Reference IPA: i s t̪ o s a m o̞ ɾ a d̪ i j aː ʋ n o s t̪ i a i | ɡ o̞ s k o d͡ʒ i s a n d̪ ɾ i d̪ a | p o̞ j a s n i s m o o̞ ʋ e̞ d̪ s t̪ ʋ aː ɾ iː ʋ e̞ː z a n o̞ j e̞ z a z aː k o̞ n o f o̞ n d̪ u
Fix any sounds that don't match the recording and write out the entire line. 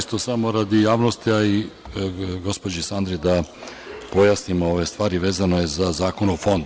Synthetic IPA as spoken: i s t̪ o s a m o̞ ɾ a d̪ i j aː ʋ n o s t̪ i a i | ɡ o̞ s p o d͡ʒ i s a n d̪ ɾ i d̪ a | p o̞ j a s n i m o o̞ ʋ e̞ s t̪ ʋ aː ɾ i ʋ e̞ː z a n o̞ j e̞ z a z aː k o̞ n o f o̞ n d̪ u